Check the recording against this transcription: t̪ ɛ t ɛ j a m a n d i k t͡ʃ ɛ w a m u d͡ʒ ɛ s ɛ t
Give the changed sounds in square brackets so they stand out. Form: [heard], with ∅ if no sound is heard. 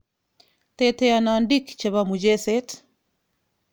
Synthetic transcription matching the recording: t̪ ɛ t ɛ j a [n] a n d i k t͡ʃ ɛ [β] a m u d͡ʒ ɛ s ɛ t